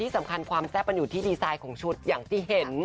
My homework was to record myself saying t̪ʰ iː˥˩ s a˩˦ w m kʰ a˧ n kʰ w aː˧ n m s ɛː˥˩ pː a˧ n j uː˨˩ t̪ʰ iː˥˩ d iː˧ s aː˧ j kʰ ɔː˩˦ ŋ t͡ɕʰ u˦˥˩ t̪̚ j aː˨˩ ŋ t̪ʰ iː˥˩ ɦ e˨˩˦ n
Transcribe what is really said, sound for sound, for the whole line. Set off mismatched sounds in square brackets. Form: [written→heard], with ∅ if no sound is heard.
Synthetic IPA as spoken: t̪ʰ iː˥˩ s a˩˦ [w→∅] m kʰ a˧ n kʰ w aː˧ [n→∅] m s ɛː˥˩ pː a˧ n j uː˨˩ t̪ʰ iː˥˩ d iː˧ s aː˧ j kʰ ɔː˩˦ ŋ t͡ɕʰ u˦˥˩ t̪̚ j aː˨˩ ŋ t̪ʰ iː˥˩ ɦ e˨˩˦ n